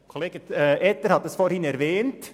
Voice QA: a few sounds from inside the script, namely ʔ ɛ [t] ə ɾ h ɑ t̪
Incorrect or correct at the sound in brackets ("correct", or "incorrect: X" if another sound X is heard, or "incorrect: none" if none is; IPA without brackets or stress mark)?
correct